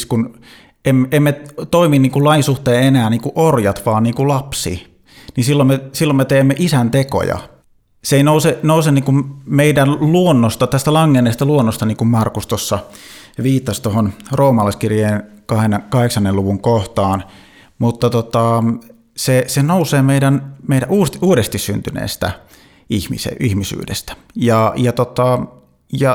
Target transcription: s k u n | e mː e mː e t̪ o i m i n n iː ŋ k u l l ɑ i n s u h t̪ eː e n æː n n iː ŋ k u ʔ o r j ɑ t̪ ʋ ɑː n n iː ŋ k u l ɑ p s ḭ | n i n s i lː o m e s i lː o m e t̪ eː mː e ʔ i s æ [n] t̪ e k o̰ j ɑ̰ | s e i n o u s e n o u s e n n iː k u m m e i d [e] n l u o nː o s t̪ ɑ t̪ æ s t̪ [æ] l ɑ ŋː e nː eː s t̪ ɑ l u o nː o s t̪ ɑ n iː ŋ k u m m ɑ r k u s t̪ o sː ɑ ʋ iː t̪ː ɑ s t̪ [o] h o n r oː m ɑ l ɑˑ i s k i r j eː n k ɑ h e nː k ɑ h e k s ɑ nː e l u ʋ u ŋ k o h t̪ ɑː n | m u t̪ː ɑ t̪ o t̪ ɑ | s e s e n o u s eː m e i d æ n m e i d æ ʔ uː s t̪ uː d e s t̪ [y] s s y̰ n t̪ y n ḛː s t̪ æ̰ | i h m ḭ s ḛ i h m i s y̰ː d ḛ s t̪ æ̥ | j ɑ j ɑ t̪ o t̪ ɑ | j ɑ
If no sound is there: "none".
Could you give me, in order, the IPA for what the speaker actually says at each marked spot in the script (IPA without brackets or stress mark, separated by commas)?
n, æ, æ, o, i